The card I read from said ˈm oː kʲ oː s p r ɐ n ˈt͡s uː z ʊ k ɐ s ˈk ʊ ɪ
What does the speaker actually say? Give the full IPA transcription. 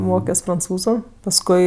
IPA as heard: ˈm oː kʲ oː s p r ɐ n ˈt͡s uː z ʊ p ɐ s ˈk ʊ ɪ